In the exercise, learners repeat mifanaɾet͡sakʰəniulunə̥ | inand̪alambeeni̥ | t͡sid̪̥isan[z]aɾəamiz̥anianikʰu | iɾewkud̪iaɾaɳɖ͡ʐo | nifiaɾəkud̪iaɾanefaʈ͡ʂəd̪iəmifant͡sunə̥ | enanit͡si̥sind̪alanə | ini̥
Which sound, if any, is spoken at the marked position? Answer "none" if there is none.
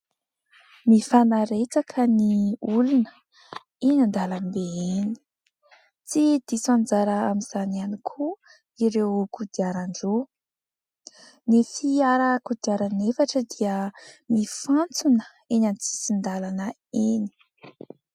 d͡z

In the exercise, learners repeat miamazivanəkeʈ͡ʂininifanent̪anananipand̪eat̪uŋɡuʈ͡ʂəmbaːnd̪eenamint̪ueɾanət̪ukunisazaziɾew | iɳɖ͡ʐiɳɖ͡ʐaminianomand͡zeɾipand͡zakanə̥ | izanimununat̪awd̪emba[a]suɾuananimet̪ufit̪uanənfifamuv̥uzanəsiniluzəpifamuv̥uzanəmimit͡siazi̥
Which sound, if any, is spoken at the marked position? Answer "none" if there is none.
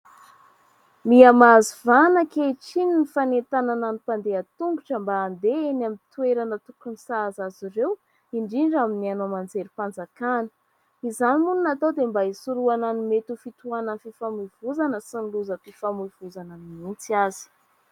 i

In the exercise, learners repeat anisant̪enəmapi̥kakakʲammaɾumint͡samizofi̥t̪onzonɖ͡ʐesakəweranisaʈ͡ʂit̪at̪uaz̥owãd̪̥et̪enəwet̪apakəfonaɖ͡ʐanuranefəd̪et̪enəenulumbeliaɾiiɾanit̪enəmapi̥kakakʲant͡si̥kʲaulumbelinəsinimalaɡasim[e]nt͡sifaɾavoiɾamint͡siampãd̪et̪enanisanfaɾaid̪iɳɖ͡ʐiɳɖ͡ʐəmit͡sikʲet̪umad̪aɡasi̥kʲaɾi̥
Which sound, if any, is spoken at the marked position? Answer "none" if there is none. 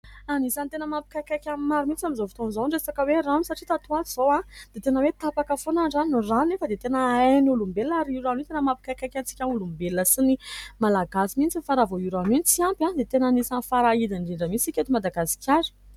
i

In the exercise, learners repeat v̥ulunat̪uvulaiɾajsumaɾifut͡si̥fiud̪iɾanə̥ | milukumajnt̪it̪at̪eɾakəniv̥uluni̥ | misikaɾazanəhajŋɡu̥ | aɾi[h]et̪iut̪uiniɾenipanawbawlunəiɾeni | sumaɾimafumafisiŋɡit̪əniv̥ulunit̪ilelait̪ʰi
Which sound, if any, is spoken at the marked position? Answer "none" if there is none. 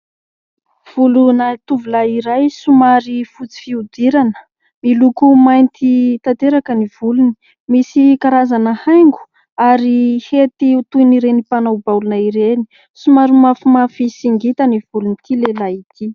h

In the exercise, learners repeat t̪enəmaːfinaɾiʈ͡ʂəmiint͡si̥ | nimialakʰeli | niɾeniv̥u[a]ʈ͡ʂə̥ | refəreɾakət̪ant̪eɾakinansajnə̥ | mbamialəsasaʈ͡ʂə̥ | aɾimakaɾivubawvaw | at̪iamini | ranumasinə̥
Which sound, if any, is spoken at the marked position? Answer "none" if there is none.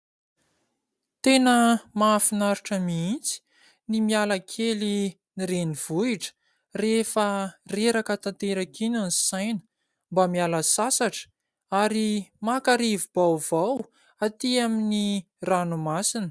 i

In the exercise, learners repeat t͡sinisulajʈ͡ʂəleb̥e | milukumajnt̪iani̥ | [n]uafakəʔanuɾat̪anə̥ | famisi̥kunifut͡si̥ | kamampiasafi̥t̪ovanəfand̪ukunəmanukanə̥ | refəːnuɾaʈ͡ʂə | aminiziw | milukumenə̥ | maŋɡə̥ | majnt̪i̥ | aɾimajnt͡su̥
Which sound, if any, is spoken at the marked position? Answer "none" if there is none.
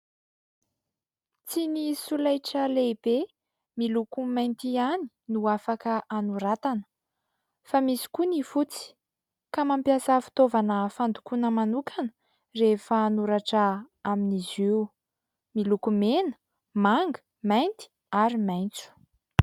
n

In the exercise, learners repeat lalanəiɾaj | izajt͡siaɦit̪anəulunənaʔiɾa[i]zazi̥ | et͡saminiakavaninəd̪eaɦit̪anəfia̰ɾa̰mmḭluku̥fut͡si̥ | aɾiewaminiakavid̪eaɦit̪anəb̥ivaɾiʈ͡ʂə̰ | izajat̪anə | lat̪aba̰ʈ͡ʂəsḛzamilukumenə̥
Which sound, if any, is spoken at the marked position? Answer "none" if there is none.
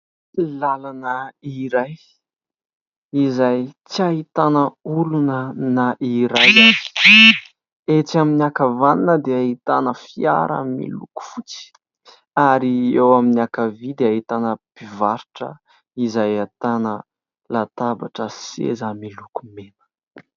j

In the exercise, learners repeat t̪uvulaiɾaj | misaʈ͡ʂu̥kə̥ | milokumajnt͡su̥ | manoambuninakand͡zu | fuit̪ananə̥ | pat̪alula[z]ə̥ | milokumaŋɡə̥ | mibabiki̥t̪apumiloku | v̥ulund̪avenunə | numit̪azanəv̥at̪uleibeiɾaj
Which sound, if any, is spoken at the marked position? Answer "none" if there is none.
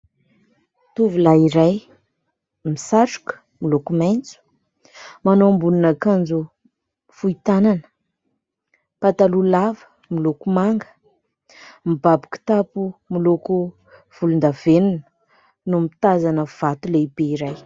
v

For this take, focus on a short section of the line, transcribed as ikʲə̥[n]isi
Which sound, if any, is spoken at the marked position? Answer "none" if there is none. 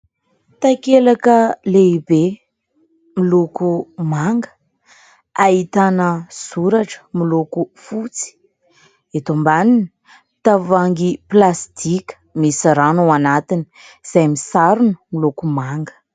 m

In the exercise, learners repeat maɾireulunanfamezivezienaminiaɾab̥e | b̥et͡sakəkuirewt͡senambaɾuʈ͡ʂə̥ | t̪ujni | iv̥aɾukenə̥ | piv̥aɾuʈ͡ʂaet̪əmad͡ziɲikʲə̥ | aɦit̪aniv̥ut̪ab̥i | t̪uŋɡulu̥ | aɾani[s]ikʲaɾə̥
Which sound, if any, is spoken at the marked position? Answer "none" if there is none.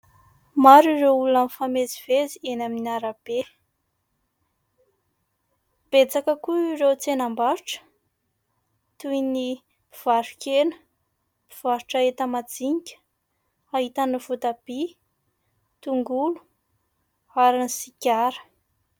s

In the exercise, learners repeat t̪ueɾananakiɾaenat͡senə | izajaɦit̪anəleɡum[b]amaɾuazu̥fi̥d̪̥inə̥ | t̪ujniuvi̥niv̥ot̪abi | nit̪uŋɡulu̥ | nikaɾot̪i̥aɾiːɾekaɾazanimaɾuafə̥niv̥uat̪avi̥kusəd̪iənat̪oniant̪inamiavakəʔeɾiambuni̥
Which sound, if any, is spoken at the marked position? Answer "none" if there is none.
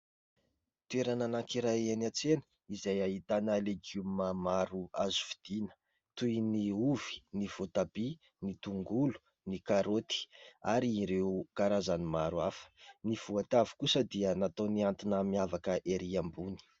m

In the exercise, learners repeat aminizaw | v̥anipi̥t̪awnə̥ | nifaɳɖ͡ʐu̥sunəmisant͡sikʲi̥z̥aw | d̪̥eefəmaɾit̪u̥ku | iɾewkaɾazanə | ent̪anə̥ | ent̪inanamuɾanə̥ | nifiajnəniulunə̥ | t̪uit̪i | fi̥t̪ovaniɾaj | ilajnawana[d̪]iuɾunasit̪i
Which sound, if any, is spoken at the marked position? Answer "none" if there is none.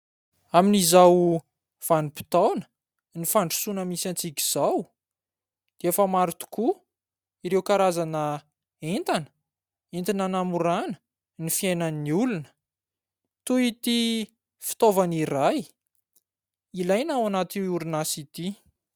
t̪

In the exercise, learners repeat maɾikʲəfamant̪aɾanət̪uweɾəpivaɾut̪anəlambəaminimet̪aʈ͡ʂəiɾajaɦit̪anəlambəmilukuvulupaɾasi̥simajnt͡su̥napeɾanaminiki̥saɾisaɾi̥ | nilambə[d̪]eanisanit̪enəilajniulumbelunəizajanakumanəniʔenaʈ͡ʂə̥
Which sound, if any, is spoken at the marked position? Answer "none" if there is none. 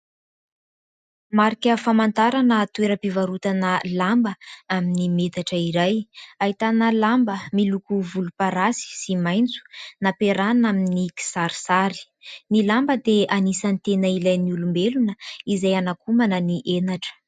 d̪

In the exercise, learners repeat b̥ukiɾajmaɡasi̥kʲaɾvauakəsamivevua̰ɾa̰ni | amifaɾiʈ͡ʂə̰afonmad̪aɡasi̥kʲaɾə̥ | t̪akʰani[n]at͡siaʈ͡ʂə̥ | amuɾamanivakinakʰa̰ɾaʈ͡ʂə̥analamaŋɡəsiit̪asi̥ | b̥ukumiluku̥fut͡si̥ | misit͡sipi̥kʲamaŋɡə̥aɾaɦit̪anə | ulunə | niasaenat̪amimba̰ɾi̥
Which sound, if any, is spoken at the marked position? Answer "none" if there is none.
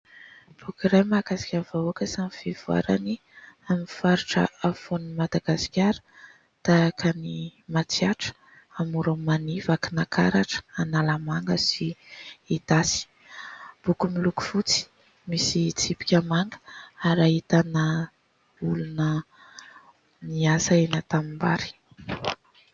m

